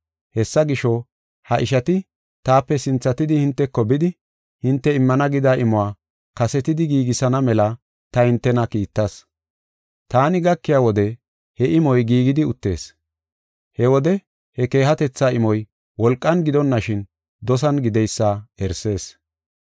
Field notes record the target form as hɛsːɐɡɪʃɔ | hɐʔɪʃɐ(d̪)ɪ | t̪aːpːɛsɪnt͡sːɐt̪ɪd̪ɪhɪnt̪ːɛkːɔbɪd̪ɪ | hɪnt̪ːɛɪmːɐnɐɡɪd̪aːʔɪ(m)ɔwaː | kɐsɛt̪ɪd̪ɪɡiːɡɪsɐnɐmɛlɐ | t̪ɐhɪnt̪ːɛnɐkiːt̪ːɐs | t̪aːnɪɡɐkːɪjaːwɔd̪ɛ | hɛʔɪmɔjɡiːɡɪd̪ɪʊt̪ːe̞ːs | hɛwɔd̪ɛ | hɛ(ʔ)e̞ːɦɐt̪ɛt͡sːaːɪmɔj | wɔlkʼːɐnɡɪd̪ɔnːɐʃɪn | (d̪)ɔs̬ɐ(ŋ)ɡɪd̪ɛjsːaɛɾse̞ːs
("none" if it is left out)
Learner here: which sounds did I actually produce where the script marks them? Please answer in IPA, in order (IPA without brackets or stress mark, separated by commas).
t̪, m, k, d̪, n